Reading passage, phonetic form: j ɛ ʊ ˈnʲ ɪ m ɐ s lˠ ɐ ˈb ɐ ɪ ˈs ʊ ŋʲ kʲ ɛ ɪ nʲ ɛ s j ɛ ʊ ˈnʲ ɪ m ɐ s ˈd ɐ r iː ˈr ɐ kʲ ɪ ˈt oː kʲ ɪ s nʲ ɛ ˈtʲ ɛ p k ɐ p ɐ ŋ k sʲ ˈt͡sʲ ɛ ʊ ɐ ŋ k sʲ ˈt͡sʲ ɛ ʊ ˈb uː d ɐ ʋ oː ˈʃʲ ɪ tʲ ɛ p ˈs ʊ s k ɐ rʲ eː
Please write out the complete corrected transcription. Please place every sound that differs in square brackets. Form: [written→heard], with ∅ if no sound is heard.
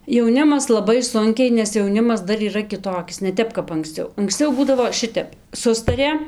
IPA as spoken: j ɛ ʊ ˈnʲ ɪ m ɐ s lˠ ɐ ˈb ɐ ɪ ˈs ʊ ŋʲ kʲ ɛ ɪ nʲ ɛ s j ɛ ʊ ˈnʲ ɪ m ɐ s ˈd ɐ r iː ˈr ɐ kʲ ɪ ˈt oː kʲ ɪ s nʲ ɛ ˈtʲ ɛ p k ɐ p ɐ ŋ k sʲ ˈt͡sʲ ɛ ʊ ɐ ŋ k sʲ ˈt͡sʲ ɛ ʊ ˈb uː d ɐ ʋ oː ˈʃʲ ɪ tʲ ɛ p ˈs ʊ s [k→t] ɐ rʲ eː